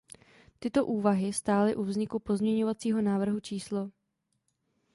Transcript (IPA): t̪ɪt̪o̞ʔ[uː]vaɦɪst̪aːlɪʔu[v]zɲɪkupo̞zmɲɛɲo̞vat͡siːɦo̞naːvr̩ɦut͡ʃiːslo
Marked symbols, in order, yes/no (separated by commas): yes, yes